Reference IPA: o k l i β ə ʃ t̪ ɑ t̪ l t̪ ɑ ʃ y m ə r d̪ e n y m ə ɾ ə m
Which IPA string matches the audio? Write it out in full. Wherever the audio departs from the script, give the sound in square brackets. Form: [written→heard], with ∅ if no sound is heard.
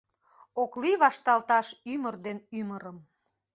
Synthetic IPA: o k l i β [ə→ɑ] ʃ t̪ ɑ [t̪→∅] l t̪ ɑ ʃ y m ə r d̪ e n y m ə ɾ ə m